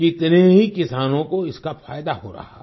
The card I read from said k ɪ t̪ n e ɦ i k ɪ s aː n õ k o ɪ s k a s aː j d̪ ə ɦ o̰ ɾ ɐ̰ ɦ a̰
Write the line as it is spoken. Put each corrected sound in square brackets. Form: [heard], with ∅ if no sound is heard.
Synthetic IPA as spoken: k ɪ t̪ n e ɦ i k ɪ s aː n õ k o ɪ s k a [f] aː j d̪ [a] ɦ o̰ ɾ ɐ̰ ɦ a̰